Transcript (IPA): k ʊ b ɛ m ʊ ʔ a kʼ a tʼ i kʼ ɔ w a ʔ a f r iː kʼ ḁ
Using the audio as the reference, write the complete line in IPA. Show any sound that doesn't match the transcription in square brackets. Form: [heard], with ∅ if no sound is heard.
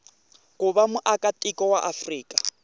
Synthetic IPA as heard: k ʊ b [a] m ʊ ʔ a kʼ a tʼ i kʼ ɔ w a ʔ a f r iː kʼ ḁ